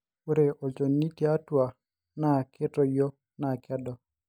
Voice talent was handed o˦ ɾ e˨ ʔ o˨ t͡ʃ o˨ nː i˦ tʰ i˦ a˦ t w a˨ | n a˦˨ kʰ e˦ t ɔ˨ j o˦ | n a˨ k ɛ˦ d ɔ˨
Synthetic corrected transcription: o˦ ɾ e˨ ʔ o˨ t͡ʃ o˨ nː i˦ t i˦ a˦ t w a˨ | n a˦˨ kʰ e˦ t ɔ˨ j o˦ | n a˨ k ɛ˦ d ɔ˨